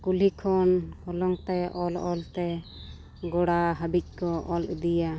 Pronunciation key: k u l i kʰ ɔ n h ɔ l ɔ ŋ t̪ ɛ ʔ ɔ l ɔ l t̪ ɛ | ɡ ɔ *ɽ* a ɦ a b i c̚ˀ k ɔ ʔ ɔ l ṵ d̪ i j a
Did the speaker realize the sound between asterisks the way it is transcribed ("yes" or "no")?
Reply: yes